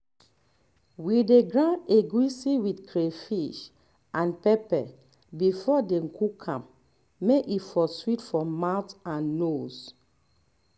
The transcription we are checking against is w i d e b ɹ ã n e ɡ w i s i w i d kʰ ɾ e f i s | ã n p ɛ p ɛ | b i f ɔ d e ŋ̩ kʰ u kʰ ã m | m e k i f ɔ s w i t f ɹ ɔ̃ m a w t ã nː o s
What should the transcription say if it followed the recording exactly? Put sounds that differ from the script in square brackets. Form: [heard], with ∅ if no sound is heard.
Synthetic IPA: w i d e [ɡ] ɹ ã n e ɡ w i s i w i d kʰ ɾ e f i [ʃ] | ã n p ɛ p ɛ | b i f ɔ d e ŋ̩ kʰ u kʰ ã m | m e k i f ɔ s w i t f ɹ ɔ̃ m a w t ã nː o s